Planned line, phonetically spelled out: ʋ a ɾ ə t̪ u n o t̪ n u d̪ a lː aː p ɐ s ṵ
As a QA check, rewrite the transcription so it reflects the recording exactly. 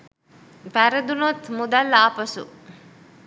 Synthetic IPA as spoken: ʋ æ ɾ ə d̪ u n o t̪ m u d̪ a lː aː p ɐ s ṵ